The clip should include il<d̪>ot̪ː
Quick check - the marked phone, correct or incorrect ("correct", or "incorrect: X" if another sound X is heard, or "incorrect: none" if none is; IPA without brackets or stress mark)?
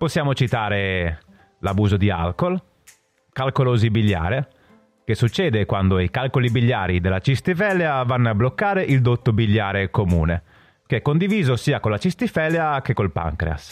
correct